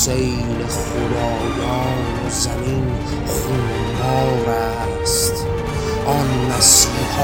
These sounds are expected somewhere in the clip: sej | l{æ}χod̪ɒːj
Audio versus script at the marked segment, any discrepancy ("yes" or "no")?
yes